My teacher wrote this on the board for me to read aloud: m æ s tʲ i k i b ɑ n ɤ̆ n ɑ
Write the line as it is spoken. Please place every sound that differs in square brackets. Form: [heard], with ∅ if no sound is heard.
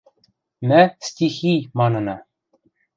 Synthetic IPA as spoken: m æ s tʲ i [x] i [m] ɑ n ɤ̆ n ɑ